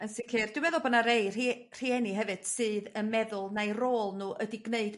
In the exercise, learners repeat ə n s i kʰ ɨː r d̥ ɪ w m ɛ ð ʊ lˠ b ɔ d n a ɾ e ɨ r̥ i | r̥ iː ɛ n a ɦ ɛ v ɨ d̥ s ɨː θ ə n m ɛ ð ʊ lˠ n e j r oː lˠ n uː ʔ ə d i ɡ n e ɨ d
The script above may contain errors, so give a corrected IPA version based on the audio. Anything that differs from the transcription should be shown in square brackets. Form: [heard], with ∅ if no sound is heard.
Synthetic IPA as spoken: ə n s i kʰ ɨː r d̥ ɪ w m ɛ ð ʊ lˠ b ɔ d n a ɾ e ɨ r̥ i | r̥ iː ɛ n [i] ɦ ɛ v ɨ d̥ s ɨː [ð] ə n m ɛ ð ʊ lˠ n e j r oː lˠ n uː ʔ ə d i ɡ n e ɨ d